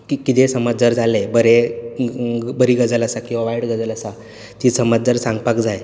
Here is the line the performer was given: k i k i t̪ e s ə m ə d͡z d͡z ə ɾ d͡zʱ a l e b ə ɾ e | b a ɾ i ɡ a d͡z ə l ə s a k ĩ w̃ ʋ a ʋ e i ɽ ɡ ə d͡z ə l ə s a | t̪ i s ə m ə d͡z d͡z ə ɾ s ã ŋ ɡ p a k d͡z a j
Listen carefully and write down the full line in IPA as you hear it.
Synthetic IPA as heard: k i k i t̪ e s ə m ə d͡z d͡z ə ɾ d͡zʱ a l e b ə ɾ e | b ə ɾ i ɡ ə d͡z ə l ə s a k ĩ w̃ ʋ a ʋ a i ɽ ɡ ə d͡z ə l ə s a | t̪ i s ə m ə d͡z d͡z ə ɾ s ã ŋ ɡ p a k d͡z a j